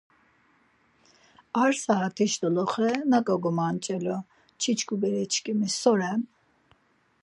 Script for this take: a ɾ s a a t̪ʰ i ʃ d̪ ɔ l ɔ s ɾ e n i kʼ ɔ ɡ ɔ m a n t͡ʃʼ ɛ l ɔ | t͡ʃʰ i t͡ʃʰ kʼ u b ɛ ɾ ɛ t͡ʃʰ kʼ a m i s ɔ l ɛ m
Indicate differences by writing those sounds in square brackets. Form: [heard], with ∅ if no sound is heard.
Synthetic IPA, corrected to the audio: a ɾ s a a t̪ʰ i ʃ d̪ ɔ l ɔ [χ] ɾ [ɛ] n [a] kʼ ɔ ɡ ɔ m a n t͡ʃʼ ɛ l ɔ | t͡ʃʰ i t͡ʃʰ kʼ u b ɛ ɾ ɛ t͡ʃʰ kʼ [i] m i s ɔ [ɾ] ɛ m

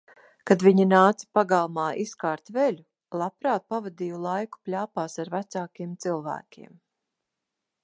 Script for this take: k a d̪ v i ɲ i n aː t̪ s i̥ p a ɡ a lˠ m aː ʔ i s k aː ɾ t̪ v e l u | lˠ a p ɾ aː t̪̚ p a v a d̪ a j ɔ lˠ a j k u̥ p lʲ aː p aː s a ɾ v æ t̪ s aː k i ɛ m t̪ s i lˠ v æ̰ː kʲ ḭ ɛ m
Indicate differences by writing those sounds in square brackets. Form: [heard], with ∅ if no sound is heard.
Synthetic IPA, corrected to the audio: k a d̪ v i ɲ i n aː t̪ s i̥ p a ɡ a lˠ m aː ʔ i s k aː ɾ t̪ v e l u | lˠ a p ɾ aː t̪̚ p a v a d̪ [i] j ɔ lˠ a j k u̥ p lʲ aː p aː s a ɾ v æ t̪ s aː k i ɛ m t̪ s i lˠ v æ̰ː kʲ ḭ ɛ m

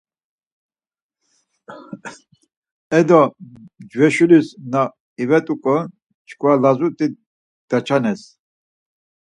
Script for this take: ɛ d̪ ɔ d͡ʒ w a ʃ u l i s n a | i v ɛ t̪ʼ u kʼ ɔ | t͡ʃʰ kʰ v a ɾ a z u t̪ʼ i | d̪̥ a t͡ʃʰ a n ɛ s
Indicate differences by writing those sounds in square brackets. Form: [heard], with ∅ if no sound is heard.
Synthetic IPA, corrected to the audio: ɛ d̪ ɔ d͡ʒ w [ɛ] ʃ u l i s n a | i v ɛ t̪ʼ u kʼ ɔ | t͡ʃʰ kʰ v a [l] a z u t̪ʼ i | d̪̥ a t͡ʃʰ a n ɛ s

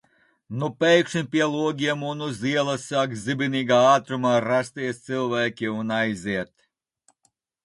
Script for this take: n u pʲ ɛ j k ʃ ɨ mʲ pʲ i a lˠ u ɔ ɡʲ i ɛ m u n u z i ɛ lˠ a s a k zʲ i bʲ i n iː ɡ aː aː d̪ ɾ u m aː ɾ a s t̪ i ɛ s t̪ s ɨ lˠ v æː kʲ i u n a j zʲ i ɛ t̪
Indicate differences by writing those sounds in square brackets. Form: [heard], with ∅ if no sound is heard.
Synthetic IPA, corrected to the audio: n u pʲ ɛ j k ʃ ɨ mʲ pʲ i [ɛ] lˠ u ɔ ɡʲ i ɛ m u n u z i ɛ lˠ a s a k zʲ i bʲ i n iː ɡ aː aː [t̪] ɾ u m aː ɾ a s t̪ i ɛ s t̪ s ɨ lˠ v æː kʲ i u n a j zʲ i ɛ t̪

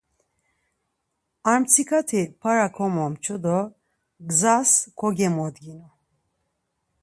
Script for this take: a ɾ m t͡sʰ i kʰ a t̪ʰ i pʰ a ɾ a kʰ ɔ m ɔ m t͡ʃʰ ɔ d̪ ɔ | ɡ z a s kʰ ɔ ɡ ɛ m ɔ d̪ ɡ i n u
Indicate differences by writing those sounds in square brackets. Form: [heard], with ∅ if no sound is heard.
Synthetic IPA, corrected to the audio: a ɾ m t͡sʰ i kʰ a t̪ʰ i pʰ a ɾ a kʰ ɔ m ɔ m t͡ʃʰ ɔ d̪ ɔ | ɡ z a s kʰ ɔ ɡ ɛ m ɔ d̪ ɡ i n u

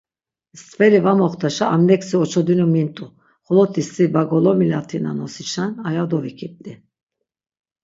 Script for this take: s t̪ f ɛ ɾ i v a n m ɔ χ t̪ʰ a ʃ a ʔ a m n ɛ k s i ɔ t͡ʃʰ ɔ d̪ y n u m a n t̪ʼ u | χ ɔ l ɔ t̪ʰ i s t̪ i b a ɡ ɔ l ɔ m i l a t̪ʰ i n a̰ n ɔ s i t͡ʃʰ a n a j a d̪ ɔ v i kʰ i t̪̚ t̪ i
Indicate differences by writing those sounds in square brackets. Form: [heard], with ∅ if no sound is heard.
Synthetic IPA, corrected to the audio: s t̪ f ɛ ɾ i v a [∅] m ɔ χ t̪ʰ a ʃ a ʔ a m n ɛ k s i ɔ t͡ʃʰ ɔ d̪ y n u m [i] n t̪ʼ u | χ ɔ l ɔ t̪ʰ i s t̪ i b a ɡ ɔ l ɔ m i l a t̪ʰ i n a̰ n ɔ s i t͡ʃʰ a n a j a d̪ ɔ v i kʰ i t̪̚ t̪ i

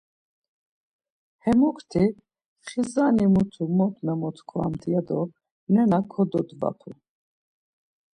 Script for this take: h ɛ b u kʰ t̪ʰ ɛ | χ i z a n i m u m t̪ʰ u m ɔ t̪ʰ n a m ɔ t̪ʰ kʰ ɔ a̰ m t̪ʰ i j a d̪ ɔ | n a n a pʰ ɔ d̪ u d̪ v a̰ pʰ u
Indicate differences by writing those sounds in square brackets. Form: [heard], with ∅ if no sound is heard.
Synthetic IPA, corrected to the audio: h ɛ [m] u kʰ t̪ʰ [i] | χ i z a n i m u [∅] t̪ʰ u m ɔ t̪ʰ n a m ɔ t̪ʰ kʰ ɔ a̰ m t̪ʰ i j a d̪ ɔ | n [ɛ] n a [kʰ] ɔ d̪ [ɔ] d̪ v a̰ pʰ u

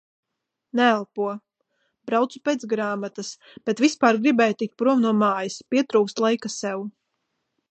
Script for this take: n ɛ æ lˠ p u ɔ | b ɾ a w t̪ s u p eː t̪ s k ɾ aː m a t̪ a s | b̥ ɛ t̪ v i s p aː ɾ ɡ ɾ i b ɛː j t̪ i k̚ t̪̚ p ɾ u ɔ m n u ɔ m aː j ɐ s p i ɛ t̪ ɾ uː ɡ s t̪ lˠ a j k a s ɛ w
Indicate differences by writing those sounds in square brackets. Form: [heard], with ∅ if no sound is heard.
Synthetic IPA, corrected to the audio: n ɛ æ lˠ p u ɔ | b ɾ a w t̪ s u p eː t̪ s [ɡ] ɾ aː m a t̪ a s | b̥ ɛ t̪ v i s p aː ɾ ɡ ɾ i b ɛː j t̪ i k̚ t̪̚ p ɾ u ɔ m n u ɔ m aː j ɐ s p i ɛ t̪ ɾ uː [k] s t̪ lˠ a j k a s ɛ w

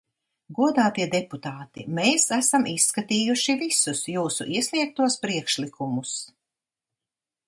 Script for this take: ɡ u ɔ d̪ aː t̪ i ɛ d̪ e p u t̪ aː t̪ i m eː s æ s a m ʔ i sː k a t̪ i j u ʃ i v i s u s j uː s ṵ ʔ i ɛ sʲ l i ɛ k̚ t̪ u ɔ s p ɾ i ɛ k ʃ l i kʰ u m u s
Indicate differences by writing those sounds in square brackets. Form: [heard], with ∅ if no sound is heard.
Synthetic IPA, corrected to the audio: ɡ u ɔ d̪ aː t̪ i ɛ d̪ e p u t̪ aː t̪ i m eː s æ s a m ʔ i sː k a t̪ [iː] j u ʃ i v i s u s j uː s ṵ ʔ i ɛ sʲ l i ɛ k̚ t̪ u ɔ s p ɾ i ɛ k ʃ l i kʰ u m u s

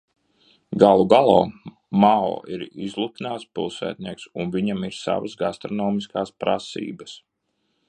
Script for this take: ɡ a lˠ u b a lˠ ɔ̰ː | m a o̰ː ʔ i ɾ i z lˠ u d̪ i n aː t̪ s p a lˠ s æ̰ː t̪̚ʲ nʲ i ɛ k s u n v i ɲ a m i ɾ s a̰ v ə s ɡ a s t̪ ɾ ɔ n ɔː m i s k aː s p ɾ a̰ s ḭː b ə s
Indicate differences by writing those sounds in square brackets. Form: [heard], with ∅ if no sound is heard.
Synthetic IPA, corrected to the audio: ɡ a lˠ u [ɡ] a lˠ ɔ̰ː | m a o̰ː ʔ i ɾ i z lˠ u [t̪] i n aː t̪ s p [i] lˠ s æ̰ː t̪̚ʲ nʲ i ɛ k s u n v i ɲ a m i ɾ s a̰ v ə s ɡ a s t̪ ɾ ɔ n ɔː m i s k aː s p ɾ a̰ s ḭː b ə s

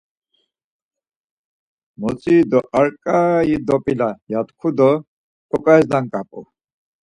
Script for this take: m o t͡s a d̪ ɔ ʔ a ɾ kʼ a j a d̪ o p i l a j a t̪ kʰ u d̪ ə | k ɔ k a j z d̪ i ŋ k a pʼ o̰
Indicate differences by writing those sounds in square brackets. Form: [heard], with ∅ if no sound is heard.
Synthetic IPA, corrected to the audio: m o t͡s [i] d̪ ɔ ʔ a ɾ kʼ a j [i] d̪ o p i l a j a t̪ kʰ u d̪ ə | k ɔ k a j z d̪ [a] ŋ k a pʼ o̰

